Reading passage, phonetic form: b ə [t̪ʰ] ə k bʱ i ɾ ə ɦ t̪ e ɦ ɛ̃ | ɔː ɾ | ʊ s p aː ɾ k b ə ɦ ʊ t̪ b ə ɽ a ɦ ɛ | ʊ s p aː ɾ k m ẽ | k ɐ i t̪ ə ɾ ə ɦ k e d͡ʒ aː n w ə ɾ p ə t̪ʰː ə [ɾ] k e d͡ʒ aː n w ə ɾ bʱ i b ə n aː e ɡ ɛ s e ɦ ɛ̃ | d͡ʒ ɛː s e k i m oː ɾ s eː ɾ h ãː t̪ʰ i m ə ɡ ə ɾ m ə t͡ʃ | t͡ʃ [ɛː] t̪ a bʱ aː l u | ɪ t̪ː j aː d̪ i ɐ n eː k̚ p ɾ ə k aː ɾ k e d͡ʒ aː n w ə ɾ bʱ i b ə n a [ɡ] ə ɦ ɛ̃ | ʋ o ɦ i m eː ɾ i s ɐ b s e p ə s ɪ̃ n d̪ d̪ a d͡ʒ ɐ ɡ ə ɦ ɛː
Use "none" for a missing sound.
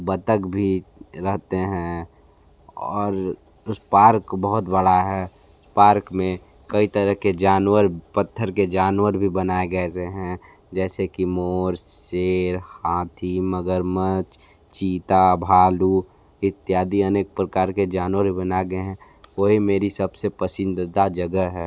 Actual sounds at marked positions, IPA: t̪, ɾ, iː, ɡ

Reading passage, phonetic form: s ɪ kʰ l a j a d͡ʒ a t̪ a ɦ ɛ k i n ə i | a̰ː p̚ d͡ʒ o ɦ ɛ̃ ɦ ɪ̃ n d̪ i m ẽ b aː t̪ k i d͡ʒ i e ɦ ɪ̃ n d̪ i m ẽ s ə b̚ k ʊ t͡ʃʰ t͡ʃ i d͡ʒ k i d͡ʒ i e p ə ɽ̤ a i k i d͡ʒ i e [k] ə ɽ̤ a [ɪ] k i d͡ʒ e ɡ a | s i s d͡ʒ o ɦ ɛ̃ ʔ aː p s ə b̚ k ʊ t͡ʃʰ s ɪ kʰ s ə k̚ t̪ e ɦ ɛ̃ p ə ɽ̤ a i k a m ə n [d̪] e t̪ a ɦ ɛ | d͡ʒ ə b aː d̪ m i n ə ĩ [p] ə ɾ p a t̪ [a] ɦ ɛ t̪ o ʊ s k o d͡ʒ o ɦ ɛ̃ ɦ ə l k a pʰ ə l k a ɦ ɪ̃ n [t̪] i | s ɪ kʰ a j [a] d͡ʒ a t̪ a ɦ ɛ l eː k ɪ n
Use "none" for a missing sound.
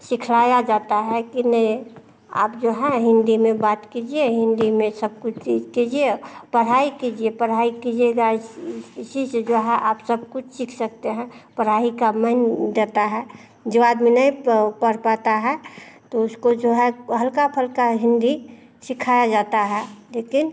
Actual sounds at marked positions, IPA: p, i, d̪, p, a, d̪, a

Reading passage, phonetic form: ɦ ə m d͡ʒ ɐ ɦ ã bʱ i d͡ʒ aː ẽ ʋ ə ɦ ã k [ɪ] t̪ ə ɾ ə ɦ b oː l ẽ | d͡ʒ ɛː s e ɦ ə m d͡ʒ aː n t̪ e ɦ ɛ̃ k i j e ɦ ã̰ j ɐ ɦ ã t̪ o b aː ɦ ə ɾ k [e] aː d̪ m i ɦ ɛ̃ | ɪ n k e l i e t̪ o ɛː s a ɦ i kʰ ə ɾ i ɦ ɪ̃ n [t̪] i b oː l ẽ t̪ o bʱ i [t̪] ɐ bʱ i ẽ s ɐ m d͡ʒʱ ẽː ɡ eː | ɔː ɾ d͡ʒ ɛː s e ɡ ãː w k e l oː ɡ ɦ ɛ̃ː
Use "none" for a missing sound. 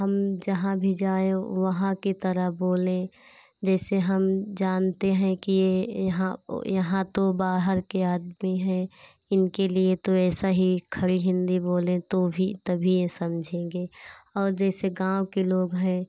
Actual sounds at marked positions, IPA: i, e, d̪, t̪

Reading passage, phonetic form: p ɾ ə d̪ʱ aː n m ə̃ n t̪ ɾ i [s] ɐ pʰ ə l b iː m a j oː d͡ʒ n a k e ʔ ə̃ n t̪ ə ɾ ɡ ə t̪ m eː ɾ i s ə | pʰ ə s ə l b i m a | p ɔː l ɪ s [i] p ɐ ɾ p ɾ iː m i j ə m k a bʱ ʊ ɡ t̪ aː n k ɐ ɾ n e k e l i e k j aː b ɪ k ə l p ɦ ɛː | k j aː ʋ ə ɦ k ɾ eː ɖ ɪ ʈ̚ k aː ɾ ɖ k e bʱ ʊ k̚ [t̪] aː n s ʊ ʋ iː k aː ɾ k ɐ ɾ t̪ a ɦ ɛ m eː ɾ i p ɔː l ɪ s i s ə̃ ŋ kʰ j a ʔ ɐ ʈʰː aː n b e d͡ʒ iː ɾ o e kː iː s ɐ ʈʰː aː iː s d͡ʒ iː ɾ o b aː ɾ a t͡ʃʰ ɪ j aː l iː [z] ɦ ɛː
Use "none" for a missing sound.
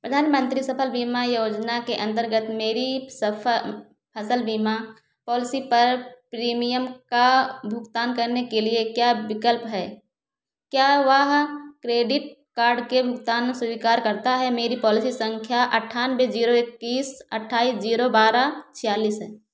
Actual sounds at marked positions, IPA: s, i, t̪, s

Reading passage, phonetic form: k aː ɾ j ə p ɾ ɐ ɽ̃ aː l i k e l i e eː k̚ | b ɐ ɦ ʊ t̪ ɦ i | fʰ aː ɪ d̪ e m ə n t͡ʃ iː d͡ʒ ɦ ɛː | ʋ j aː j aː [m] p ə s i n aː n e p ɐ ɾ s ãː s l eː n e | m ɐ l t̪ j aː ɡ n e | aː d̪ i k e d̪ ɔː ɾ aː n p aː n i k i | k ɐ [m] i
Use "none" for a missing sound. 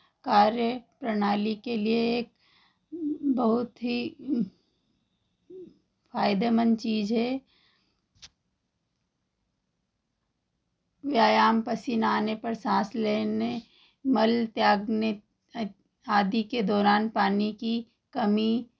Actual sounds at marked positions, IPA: m, m

